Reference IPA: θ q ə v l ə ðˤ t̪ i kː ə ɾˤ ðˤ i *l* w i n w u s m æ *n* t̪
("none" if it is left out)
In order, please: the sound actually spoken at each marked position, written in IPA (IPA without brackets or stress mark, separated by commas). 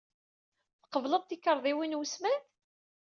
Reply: none, n